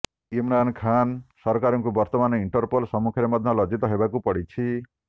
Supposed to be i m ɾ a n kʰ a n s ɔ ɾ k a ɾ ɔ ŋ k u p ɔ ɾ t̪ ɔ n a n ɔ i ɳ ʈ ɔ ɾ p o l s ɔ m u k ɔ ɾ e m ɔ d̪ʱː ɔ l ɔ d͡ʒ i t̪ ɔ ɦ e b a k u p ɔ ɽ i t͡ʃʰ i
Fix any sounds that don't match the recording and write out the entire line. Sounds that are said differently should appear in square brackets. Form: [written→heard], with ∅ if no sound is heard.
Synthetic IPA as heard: i m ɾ a n kʰ a n s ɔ ɾ k a ɾ ɔ ŋ k u [p→b] ɔ ɾ t̪ ɔ [n→m] a n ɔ i ɳ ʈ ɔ ɾ p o l s ɔ m u [k→kʰ] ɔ ɾ e m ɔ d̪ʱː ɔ l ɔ d͡ʒ i t̪ ɔ ɦ e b a k u p ɔ ɽ i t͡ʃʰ i